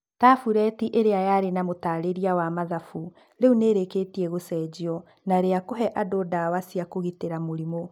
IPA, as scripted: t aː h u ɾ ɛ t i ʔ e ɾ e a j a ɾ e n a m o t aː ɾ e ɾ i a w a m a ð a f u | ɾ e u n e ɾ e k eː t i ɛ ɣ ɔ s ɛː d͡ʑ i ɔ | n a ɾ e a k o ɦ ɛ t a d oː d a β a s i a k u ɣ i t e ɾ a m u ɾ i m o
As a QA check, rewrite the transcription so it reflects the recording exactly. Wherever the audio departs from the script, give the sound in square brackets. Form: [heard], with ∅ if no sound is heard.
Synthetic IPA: t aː [f] u ɾ ɛ t i ʔ e ɾ e a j a ɾ e n a m o t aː ɾ e ɾ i a w a m a ð a f u | ɾ e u n e ɾ e k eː t i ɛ ɣ [o] s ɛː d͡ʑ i ɔ | n a ɾ e a k o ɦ ɛ [ʔ] a d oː d a [w] a s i a k [o] ɣ i t e ɾ a m [o] ɾ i m o